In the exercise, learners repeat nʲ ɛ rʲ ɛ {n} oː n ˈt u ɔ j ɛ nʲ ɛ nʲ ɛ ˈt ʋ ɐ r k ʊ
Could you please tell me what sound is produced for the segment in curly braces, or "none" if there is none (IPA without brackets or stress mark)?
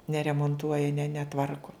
m